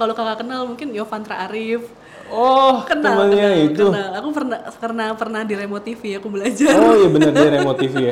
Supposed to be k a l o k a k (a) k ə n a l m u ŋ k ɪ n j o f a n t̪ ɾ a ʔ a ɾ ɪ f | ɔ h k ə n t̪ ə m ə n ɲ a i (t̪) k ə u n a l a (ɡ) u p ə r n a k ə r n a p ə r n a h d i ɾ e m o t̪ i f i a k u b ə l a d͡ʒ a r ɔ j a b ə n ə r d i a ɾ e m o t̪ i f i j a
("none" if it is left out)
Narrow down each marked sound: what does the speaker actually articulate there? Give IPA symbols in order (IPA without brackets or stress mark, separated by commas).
a, t̪, k